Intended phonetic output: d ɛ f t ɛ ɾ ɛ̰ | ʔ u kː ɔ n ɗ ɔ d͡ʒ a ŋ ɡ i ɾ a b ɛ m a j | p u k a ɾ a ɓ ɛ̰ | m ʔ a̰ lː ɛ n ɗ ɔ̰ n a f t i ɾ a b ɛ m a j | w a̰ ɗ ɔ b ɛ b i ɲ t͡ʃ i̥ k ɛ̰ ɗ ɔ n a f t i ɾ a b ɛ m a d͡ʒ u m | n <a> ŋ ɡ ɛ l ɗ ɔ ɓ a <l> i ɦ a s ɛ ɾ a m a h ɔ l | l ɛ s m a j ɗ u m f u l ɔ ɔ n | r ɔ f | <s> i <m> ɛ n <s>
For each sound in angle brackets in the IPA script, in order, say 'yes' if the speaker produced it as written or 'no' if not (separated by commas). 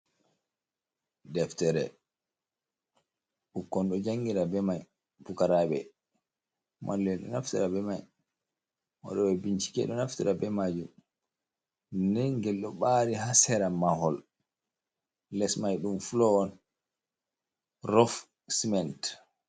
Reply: no, no, yes, yes, no